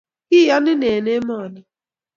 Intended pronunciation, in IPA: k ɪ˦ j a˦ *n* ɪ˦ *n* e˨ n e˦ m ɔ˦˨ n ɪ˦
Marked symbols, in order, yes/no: yes, yes

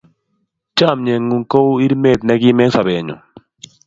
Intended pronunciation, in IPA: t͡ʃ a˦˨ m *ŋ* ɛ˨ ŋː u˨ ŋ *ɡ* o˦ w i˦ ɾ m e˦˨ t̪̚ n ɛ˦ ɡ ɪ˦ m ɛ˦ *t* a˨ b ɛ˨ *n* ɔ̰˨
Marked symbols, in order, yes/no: no, no, no, no

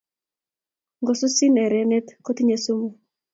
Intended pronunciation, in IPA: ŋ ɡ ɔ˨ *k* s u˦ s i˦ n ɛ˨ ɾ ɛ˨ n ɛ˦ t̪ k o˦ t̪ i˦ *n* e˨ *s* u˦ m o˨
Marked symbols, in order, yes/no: no, no, yes

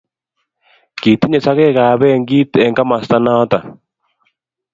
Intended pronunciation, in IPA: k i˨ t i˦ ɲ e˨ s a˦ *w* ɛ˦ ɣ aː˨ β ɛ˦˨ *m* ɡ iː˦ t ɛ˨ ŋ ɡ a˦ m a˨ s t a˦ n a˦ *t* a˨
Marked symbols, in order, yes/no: no, no, yes

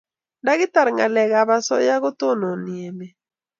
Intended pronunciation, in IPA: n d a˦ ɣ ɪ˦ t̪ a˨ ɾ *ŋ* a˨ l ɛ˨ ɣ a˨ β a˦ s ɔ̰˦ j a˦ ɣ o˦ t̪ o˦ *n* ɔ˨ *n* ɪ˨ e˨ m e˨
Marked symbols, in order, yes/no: yes, yes, yes

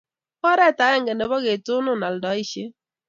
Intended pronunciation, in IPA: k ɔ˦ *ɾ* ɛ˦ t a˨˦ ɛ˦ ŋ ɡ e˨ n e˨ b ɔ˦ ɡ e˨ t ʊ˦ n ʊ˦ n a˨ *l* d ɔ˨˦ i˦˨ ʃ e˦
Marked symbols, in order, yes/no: yes, yes

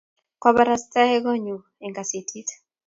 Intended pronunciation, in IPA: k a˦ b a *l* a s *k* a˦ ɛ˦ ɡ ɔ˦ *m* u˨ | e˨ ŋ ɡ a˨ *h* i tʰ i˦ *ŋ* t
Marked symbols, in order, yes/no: no, no, no, no, no

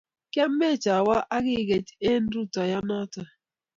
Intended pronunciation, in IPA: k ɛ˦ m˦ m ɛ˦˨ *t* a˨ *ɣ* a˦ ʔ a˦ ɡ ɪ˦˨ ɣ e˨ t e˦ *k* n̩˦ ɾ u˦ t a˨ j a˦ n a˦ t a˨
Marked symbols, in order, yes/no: no, no, no

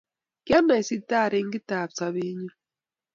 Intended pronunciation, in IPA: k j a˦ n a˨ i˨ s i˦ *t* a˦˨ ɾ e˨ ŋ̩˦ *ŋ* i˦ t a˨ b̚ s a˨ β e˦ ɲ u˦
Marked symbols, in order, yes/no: yes, no

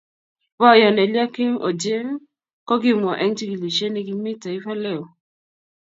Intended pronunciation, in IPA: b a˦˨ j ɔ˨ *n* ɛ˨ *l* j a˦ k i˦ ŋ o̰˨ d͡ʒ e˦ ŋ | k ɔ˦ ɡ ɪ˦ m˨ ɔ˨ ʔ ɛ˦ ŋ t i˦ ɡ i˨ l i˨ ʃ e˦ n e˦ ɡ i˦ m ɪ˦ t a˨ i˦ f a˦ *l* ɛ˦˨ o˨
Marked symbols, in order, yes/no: yes, yes, yes

